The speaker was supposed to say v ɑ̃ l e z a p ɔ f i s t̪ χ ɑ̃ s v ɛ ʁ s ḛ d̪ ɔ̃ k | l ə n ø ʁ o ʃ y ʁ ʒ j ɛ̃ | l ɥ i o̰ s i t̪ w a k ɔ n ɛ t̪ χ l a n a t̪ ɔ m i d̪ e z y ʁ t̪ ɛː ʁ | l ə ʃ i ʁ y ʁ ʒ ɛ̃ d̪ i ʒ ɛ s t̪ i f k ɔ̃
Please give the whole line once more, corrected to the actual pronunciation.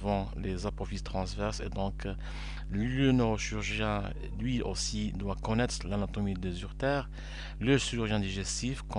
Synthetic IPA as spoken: v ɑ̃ l e z a p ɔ f i s t̪ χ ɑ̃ s v ɛ ʁ s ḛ d̪ ɔ̃ k | l ə n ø ʁ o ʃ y ʁ ʒ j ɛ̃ | l ɥ i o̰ s i d̪ w a k ɔ n ɛ t̪ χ l a n a t̪ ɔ m i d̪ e z y ʁ t̪ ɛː ʁ | l ə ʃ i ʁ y ʁ ʒ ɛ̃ d̪ i ʒ ɛ s t̪ i f k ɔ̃